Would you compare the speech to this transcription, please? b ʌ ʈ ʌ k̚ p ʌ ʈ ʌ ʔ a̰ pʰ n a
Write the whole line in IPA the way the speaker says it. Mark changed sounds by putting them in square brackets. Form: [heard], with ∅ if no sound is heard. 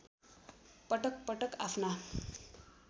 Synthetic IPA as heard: [p] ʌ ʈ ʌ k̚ p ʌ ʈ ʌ [k] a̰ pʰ n a